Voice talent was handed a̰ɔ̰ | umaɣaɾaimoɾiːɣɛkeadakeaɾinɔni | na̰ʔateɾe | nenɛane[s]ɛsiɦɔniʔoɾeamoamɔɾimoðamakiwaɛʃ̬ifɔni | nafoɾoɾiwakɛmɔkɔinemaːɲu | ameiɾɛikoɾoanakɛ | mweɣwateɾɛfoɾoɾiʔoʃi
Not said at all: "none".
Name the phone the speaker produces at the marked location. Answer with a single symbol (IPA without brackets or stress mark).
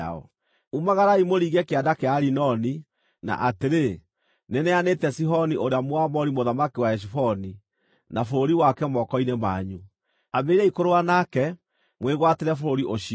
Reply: t